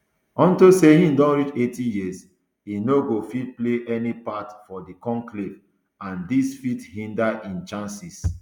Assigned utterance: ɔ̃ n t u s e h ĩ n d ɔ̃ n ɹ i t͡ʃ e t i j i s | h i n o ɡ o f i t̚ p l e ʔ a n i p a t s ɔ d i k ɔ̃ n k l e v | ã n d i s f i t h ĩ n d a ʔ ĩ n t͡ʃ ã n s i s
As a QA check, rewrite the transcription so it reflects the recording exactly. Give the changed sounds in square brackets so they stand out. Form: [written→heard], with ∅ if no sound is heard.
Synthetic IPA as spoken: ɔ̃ n t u s e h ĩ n d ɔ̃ n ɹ i t͡ʃ e t i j i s | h i n o ɡ o f i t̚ p l e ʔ [a→ɛ] n i p a t [s→f] ɔ d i k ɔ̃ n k l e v | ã n d i s f i t h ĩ n d a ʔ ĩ n t͡ʃ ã n s i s

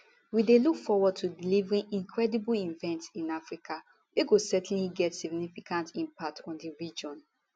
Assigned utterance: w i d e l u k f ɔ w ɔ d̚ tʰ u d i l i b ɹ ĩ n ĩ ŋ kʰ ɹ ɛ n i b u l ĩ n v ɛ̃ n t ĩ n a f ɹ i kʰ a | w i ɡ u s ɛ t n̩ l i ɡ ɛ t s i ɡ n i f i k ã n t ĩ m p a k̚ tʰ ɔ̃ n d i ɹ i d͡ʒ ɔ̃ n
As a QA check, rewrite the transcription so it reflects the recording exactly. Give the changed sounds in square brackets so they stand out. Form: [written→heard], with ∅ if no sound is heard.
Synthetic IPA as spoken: w i d e l u k f ɔ w ɔ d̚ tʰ u d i l i [b→v] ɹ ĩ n ĩ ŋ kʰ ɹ ɛ [n→d] i b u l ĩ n v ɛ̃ n t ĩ n a f ɹ i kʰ a | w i ɡ [u→o] s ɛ t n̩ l i ɡ ɛ t s i ɡ n i f i k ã n t ĩ m p a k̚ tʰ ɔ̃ n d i ɹ i d͡ʒ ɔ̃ n

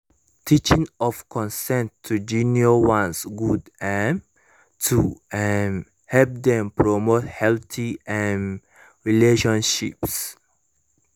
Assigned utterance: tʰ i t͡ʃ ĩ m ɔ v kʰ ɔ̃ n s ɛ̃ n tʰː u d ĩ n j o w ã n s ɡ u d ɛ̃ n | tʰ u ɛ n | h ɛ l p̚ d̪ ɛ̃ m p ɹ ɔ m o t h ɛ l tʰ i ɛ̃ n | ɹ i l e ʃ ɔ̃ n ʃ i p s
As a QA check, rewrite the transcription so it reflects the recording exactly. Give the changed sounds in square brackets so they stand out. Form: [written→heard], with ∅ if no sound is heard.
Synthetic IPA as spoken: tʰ i t͡ʃ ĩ [m→ŋ] ɔ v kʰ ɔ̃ n s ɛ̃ n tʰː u [d→d͡ʒ] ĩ n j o w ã n s ɡ u d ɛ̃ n | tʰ u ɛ n | h ɛ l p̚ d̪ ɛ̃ m p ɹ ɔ m o t h ɛ l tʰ i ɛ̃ n | ɹ i l e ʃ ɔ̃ n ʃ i p s

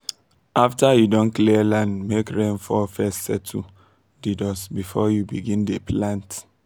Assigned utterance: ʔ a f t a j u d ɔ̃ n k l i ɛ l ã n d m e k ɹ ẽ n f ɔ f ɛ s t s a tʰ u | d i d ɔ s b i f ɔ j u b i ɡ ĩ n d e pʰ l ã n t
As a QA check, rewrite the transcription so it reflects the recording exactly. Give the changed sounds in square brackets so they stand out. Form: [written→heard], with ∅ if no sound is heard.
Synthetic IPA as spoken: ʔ a f t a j u d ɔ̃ n k l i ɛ l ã n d m e k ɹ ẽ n f ɔ f ɛ s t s [a→ɛ] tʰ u | d i d ɔ s b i f ɔ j u b i ɡ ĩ n d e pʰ l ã n t

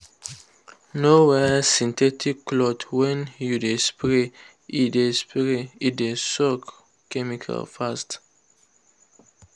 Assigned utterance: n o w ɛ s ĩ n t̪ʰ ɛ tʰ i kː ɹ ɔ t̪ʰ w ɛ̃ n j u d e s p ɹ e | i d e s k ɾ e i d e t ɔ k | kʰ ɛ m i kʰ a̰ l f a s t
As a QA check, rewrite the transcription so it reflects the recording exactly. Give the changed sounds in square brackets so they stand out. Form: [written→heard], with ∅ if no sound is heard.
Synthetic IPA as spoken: n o w ɛ s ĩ n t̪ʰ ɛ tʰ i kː [ɹ→l] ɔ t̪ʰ w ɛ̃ n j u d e s p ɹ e | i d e s [k→p] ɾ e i d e [t→s] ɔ k | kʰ ɛ m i kʰ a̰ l f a s t

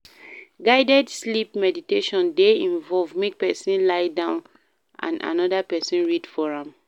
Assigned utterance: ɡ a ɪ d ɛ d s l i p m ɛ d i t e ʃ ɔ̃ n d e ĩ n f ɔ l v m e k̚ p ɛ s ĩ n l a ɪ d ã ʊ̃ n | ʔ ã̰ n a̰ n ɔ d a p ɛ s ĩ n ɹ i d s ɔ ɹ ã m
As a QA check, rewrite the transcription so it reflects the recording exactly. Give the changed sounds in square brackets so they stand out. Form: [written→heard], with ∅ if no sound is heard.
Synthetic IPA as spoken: ɡ a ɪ d ɛ d s l i p m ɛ d i t e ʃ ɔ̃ n d e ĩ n [f→v] ɔ l v m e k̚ p ɛ s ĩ n l a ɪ d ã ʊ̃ n | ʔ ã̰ n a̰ n ɔ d a p ɛ s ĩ n ɹ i d [s→f] ɔ ɹ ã m

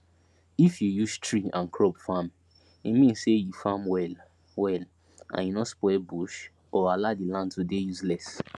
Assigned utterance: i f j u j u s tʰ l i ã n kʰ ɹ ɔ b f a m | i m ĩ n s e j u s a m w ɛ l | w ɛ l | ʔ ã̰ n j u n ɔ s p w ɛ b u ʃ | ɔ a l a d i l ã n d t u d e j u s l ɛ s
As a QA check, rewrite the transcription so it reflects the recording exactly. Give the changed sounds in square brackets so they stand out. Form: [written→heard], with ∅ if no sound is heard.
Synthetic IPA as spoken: i f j u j u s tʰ [l→ɹ] i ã n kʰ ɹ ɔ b f a m | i m ĩ n s e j u [s→f] a m w ɛ l | w ɛ l | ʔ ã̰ n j u n ɔ s p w ɛ b u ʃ | ɔ a l a d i l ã n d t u d e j u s l ɛ s

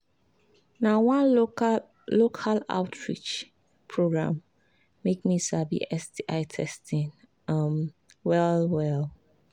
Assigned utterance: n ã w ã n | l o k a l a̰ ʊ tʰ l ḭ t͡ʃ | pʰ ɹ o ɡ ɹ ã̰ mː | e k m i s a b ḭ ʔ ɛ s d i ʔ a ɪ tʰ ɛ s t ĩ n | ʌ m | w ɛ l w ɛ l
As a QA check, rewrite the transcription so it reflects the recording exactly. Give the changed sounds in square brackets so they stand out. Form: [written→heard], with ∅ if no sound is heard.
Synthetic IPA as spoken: n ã w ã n | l o [k→kʰ] a l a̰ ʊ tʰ [l→ɹ] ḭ t͡ʃ | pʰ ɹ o ɡ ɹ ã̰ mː | e k m i s a b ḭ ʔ ɛ s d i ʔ a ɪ tʰ ɛ s t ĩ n | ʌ m | w ɛ l w ɛ l

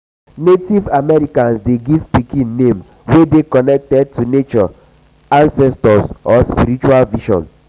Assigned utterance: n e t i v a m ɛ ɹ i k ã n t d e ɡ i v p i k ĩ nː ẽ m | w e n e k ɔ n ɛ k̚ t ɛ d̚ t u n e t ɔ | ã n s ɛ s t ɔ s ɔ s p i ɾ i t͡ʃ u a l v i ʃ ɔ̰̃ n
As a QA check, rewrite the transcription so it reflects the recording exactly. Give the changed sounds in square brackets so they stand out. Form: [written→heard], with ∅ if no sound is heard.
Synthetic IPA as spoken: n e t i v a m ɛ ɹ i k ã n [t→s] d e ɡ i v p i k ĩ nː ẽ m | w e [n→d] e k ɔ n ɛ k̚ t ɛ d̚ t u n e [t→t͡ʃ] ɔ | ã n s ɛ s t ɔ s ɔ s p i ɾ i t͡ʃ u a l v i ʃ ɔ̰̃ n

